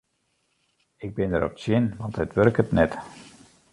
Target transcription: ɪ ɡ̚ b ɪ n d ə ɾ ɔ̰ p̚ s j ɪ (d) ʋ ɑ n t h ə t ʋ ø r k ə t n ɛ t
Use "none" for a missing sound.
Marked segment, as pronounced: n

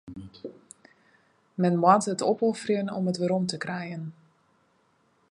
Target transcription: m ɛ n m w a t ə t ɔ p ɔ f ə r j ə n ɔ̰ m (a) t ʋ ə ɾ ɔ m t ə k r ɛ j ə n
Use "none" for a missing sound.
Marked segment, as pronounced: ə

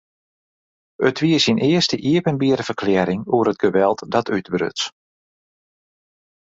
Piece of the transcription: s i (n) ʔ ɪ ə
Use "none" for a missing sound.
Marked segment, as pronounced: n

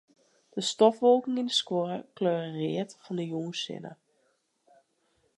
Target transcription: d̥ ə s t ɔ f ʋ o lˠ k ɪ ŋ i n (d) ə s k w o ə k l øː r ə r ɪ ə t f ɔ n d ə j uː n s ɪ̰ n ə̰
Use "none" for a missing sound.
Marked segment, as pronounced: d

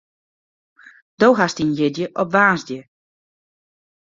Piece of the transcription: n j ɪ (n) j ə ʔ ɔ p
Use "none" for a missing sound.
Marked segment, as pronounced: d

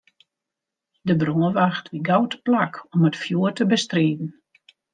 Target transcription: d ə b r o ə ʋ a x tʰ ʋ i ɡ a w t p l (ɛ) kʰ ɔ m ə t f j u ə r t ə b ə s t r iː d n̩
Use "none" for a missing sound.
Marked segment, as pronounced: a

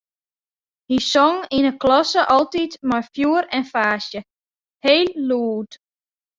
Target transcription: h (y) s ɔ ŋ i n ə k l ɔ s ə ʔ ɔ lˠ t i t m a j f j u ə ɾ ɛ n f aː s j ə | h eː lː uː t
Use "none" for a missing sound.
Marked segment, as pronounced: i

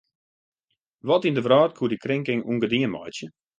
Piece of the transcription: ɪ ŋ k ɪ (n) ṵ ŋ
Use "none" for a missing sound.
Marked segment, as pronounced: ŋ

